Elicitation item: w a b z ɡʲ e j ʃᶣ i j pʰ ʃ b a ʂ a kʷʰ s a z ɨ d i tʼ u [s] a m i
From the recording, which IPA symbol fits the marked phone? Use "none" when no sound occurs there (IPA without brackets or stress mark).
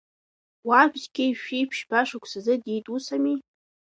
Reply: s